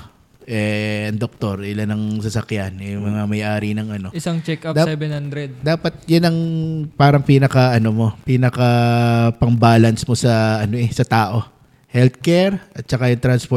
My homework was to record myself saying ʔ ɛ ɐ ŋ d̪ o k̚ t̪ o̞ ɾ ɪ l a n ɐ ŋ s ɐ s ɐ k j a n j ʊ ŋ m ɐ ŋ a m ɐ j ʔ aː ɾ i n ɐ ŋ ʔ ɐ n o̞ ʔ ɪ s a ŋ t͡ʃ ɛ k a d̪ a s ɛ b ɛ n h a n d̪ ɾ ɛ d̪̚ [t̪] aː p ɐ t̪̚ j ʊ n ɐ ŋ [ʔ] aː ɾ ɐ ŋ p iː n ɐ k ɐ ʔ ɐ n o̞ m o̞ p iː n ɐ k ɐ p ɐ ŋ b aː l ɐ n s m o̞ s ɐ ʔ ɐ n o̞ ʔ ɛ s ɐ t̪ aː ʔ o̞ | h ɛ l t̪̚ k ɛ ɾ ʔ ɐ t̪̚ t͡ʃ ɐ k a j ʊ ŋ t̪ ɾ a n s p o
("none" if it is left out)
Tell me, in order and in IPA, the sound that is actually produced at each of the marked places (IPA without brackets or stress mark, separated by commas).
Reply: d̪, p